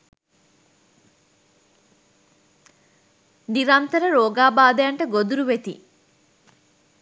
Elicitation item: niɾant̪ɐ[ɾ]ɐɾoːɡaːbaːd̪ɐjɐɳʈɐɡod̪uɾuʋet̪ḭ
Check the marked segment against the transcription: correct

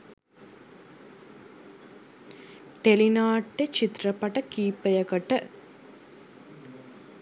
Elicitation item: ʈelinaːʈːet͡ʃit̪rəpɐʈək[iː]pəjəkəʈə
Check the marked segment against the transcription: correct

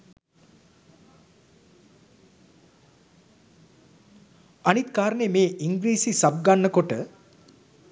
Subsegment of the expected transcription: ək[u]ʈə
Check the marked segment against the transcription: incorrect: o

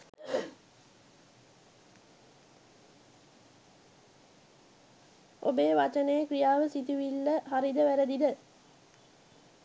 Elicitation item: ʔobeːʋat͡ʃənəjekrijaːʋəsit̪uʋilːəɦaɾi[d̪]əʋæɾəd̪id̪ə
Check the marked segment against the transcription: correct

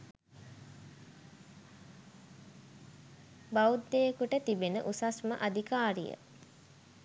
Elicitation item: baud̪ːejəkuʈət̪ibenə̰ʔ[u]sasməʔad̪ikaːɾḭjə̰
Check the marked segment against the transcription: correct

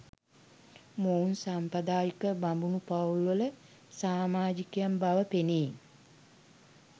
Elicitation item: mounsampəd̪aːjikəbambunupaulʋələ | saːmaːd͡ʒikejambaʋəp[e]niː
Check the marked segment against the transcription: correct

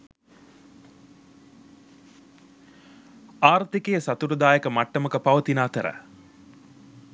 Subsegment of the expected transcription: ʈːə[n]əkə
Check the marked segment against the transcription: incorrect: m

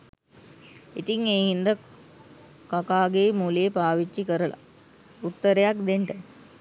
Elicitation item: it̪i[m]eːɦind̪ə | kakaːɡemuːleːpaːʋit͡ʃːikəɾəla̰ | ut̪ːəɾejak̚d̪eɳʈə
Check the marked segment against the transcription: incorrect: ŋ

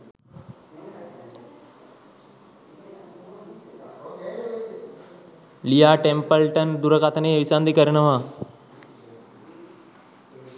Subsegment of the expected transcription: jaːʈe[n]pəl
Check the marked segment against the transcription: incorrect: m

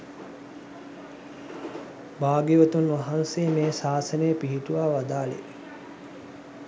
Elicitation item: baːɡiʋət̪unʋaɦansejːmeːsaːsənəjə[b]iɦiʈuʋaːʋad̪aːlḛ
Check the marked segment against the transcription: incorrect: p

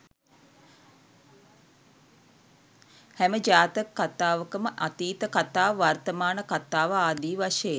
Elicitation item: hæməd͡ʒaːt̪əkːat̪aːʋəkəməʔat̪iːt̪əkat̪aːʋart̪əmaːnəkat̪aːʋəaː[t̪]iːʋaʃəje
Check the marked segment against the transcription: incorrect: d̪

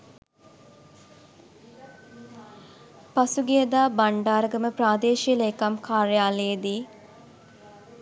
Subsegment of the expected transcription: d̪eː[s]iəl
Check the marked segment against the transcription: incorrect: ʃ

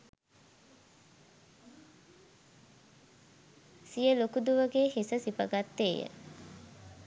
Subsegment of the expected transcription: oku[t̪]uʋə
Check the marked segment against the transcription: incorrect: d̪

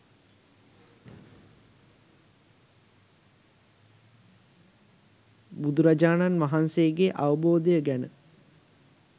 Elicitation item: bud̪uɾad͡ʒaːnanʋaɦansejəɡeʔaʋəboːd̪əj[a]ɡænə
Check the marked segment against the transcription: incorrect: ə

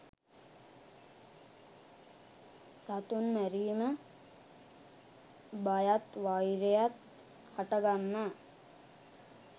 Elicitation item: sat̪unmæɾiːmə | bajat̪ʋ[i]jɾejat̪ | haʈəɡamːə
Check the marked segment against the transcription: incorrect: a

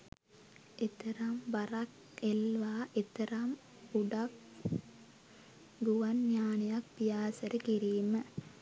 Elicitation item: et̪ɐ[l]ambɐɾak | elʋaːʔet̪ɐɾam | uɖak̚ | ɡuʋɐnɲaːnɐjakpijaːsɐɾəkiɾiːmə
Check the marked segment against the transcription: incorrect: ɾ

